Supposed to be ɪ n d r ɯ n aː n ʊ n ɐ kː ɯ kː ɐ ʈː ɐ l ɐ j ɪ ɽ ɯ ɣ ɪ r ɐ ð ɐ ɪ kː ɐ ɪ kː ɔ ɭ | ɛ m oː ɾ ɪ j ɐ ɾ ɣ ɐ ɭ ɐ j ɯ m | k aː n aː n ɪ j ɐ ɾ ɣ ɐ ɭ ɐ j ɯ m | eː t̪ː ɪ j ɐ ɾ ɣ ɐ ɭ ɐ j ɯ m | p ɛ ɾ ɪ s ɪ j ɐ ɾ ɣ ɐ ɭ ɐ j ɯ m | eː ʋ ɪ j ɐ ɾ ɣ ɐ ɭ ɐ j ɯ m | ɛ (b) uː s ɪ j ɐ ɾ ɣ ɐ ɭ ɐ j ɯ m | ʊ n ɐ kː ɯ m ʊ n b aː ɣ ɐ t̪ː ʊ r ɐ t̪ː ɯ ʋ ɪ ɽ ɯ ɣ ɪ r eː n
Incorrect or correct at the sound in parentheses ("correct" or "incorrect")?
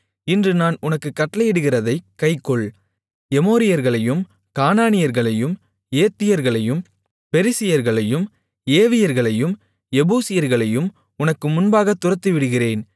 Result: correct